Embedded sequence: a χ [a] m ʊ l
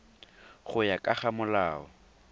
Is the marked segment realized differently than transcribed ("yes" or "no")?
no